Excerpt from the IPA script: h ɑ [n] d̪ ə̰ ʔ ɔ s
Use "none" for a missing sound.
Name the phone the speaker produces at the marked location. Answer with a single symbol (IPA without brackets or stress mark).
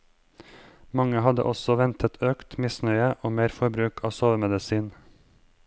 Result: none